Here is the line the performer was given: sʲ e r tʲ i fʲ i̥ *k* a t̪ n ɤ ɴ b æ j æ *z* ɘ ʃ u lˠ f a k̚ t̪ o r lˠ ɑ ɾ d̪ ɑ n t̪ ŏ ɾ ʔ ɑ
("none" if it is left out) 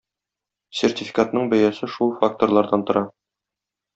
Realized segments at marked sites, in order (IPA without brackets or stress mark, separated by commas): k, s